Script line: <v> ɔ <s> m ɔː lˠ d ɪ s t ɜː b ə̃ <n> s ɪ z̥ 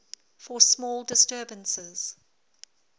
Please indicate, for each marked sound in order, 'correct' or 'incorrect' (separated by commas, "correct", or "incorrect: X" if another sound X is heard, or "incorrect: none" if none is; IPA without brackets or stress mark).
incorrect: f, correct, correct